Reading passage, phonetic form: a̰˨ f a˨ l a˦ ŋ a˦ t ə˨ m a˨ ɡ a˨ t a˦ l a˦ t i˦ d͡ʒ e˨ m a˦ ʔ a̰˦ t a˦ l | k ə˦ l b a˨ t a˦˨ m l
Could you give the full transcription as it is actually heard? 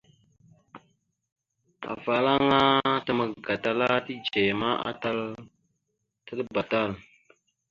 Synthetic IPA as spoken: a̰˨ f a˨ l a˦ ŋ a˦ t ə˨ m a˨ ɡ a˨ t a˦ l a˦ t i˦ d͡ʒ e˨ m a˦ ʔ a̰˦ t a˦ l | t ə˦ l b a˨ t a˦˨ l